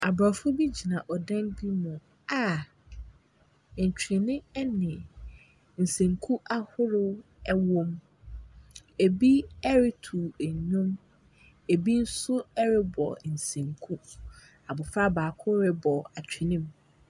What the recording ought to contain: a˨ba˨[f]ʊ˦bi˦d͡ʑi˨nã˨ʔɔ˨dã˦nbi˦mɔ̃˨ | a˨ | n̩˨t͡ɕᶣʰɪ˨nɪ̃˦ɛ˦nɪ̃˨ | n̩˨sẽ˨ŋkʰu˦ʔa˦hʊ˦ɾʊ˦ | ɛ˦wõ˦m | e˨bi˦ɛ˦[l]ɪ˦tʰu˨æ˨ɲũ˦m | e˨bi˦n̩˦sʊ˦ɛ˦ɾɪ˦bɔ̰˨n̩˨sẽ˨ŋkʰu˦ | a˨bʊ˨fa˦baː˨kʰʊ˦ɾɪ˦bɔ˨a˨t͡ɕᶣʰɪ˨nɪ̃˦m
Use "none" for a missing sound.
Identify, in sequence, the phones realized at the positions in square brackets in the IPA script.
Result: f, ɾ

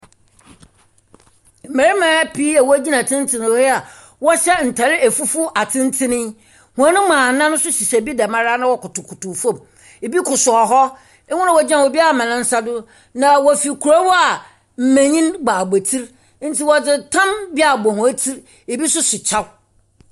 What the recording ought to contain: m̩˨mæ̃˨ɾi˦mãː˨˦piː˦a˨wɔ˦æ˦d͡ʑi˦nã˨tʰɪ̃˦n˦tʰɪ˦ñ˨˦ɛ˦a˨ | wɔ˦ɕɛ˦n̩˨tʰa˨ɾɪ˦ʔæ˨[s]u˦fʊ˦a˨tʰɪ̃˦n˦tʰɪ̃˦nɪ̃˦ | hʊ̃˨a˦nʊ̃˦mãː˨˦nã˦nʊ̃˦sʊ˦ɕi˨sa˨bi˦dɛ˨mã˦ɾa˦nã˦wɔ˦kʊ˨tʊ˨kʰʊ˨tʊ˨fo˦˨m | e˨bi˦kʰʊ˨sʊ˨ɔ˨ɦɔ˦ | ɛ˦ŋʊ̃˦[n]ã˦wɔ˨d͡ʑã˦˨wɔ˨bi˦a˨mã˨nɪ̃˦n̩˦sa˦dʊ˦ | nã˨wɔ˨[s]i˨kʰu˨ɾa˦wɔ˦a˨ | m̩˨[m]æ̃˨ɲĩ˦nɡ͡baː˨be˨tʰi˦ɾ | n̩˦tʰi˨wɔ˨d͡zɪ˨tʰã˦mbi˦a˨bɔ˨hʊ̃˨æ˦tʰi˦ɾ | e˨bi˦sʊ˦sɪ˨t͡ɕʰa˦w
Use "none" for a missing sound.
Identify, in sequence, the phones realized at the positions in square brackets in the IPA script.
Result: f, n, f, m

